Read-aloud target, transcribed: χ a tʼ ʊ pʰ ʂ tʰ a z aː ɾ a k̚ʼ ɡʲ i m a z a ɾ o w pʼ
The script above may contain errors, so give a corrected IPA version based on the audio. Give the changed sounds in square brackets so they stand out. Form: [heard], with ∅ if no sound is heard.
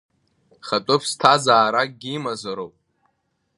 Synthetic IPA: χ a tʼ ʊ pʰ [s] tʰ a z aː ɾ a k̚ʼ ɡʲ i m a z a ɾ o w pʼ